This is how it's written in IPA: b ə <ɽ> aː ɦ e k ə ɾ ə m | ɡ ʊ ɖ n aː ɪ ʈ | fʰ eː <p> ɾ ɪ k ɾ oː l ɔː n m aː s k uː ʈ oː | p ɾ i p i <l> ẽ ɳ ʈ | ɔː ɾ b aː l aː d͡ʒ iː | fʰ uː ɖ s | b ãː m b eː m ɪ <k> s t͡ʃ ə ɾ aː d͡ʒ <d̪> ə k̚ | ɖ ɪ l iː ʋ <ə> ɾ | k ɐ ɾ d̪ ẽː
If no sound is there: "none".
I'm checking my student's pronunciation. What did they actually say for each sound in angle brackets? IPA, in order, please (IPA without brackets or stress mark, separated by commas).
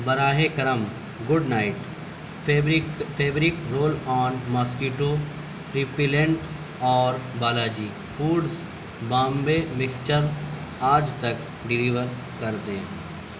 ɾ, b, l, k, t̪, ə